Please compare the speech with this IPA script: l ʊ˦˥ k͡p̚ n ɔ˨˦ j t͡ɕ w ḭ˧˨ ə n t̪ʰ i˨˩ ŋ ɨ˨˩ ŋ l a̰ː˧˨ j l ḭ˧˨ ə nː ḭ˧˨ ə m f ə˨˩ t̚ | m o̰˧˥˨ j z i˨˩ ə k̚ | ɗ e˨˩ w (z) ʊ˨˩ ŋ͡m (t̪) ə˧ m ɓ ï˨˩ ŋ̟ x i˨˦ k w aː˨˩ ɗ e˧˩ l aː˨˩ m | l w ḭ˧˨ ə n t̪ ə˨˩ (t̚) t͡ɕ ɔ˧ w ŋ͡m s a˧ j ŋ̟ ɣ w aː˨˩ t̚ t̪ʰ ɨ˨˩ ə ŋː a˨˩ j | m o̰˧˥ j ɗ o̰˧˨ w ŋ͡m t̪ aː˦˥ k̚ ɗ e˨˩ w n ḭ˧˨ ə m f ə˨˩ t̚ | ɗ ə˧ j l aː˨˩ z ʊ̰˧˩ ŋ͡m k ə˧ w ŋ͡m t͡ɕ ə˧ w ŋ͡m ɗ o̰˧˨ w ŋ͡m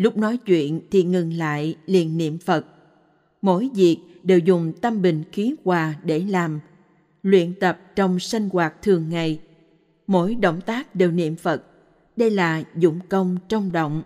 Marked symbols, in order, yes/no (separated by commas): yes, yes, no